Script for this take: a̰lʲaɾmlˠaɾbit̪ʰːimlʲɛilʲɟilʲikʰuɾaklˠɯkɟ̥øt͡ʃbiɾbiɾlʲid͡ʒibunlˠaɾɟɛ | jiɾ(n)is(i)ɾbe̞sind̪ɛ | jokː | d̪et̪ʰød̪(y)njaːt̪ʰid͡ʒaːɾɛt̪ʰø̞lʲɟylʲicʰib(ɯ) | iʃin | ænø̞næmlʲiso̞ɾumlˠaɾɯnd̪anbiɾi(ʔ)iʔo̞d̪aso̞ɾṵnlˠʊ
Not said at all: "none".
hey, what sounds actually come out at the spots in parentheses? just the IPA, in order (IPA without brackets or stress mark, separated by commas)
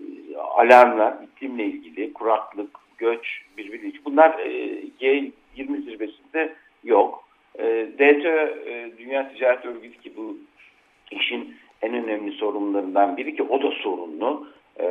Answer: m, i, y, u, c